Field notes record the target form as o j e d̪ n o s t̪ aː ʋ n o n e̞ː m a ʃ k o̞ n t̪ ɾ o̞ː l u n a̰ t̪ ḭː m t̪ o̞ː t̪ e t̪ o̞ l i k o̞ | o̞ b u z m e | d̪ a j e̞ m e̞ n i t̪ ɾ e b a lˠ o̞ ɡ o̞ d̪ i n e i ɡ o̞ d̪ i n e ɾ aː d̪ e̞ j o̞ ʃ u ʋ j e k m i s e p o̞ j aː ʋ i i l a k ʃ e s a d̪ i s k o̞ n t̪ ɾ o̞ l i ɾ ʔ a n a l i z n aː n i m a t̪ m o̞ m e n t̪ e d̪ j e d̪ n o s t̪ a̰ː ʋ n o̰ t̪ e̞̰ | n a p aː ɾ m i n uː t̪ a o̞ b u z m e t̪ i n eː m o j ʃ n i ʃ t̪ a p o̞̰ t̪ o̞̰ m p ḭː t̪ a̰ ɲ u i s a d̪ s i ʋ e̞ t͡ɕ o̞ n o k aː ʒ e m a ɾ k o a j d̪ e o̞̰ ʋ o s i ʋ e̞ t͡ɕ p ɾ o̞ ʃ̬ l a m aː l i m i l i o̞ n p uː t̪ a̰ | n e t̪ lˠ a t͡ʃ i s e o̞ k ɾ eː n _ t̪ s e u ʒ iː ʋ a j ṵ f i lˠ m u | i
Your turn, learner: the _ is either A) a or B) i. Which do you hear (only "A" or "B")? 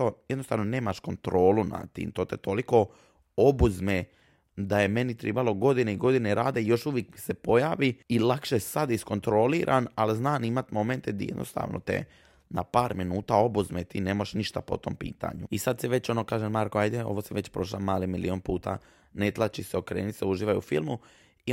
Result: B